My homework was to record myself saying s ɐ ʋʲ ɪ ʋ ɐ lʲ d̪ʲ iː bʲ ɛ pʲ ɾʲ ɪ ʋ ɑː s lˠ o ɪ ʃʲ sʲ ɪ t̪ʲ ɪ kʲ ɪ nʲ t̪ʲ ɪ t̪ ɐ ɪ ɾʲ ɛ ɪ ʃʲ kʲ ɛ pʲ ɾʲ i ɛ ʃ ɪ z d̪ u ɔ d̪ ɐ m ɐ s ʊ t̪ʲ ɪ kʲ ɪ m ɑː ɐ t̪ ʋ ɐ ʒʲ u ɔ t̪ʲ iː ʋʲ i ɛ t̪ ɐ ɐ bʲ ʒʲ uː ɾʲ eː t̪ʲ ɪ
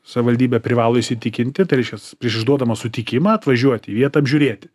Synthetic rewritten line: s ɐ ʋʲ ɪ ʋ ɐ lʲ d̪ʲ iː bʲ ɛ pʲ ɾʲ ɪ ʋ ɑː lˠ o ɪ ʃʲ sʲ ɪ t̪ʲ ɪ kʲ ɪ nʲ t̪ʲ ɪ t̪ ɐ ɪ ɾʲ ɛ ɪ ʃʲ kʲ ɛ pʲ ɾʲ i ɛ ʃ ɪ ʒ d̪ u ɔ d̪ ɐ m ɐ s ʊ t̪ʲ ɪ kʲ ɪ m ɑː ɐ t̪ ʋ ɐ ʒʲ u ɔ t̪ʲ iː ʋʲ i ɛ t̪ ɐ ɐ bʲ ʒʲ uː ɾʲ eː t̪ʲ ɪ